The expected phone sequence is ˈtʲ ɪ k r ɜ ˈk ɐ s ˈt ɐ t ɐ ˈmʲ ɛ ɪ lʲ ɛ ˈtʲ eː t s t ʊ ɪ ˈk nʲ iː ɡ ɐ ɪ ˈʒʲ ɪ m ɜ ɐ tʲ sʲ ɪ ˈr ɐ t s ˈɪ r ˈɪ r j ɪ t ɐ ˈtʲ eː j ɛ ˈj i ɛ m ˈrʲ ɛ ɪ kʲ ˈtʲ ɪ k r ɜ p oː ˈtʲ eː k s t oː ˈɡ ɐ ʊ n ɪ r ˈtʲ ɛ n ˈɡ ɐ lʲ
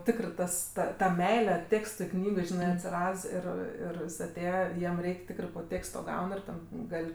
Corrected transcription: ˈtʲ ɪ k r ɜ ˈt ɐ s ˈt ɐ t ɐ ˈmʲ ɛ ɪ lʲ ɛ ˈtʲ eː k s t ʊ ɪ ˈk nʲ iː ɡ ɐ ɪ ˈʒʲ ɪ n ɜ ɐ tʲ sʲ ɪ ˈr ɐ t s ˈɪ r ˈɪ r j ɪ s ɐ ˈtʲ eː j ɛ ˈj i ɛ m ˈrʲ ɛ ɪ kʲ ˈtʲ ɪ k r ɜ p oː ˈtʲ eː k s t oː ˈɡ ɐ ʊ n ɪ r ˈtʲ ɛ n ˈɡ ɐ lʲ